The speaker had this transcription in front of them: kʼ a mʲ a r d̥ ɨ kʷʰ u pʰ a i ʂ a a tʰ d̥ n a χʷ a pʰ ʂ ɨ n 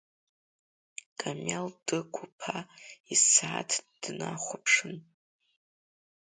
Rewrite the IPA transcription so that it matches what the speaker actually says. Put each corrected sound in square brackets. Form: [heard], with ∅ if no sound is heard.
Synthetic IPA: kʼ a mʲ a [l] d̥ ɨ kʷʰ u pʰ a i [s] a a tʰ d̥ n a χʷ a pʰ ʂ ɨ n